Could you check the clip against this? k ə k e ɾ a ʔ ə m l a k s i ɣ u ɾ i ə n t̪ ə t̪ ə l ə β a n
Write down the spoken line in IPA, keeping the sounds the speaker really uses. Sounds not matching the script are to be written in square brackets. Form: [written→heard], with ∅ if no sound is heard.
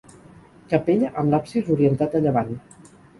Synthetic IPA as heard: k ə [k→p] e [ɾ→ʎ] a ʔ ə m l a [k→p] s i [ɣ→z] u ɾ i ə n t̪ [ə→a] t̪ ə [l→ʎ] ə β a n